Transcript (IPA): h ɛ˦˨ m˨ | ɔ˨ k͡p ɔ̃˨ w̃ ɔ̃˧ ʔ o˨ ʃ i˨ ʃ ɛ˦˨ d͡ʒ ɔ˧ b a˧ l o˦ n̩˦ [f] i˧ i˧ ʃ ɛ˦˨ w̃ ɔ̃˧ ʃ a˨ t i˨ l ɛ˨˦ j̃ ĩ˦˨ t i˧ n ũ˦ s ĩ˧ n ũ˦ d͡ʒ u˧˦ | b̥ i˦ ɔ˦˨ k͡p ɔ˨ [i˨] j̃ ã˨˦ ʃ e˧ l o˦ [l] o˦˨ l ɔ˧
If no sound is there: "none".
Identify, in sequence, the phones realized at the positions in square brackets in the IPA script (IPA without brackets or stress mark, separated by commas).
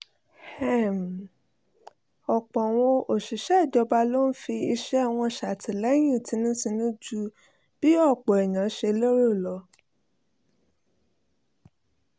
f, ɛ˨, ɾ